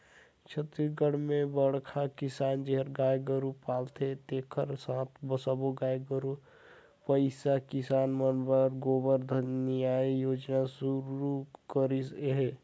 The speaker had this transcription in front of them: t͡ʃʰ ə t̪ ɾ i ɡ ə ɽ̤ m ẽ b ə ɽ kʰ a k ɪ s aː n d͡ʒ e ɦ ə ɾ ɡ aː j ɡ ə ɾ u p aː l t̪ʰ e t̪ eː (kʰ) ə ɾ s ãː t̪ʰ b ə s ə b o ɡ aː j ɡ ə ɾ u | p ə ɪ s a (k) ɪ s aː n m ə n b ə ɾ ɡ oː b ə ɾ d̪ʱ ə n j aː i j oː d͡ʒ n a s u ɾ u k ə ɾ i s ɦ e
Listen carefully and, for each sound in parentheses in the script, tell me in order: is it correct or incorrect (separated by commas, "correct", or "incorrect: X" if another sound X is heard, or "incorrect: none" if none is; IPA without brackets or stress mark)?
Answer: correct, correct